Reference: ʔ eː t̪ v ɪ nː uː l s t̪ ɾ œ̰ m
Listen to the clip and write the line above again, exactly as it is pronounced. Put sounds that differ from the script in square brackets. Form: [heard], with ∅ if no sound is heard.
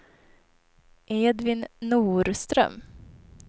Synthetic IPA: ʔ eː [d̪] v ɪ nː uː [ɾ] s t̪ ɾ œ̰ m